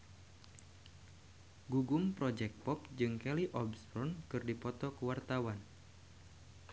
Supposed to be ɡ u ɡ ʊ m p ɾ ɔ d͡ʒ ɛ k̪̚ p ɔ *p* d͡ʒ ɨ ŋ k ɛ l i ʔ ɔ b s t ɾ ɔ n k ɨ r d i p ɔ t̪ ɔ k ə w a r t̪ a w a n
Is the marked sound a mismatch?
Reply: no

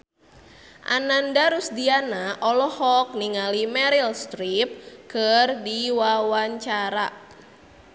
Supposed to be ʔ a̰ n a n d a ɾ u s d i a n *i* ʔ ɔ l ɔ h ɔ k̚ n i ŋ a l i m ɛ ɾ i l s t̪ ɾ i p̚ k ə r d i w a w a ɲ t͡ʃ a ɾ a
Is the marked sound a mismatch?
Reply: yes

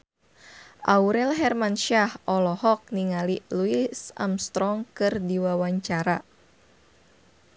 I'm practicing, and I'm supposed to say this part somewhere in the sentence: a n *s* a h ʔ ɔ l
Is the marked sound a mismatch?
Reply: yes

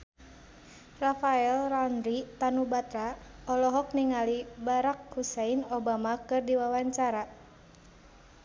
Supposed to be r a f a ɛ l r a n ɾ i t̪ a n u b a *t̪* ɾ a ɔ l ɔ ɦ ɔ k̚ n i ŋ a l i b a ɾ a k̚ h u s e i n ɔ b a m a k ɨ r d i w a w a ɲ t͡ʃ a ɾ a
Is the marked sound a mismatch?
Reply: no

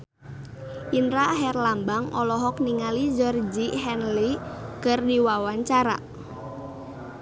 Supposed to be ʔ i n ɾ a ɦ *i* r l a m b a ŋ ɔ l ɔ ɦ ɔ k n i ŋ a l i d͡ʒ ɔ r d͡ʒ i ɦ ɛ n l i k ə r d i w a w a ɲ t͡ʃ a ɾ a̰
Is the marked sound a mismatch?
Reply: yes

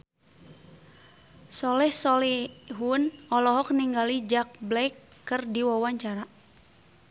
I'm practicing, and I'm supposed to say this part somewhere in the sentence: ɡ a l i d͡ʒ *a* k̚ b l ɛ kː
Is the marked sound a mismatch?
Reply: no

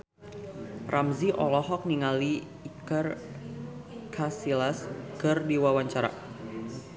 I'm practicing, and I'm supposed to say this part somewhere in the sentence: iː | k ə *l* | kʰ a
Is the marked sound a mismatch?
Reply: yes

